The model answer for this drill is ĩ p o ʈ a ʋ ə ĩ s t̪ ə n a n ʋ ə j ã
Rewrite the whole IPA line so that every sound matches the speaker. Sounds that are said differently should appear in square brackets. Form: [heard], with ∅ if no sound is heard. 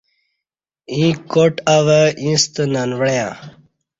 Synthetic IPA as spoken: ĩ [k] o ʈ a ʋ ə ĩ s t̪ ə n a n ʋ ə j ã